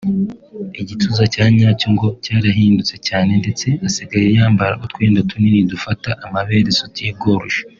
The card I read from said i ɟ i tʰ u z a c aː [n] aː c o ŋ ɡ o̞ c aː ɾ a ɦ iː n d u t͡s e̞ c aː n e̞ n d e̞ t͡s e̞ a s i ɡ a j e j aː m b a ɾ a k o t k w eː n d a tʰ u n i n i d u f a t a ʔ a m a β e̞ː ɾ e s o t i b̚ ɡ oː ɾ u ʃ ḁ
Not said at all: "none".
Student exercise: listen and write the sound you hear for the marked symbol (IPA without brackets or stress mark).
ɲ